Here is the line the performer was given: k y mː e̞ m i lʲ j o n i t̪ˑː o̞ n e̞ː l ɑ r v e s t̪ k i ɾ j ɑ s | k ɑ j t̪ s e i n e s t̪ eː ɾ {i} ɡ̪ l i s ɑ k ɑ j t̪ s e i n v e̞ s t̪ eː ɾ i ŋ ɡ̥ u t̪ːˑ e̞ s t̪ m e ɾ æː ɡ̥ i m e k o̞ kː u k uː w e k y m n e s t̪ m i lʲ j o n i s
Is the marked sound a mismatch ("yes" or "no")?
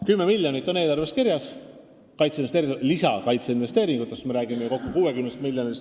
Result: no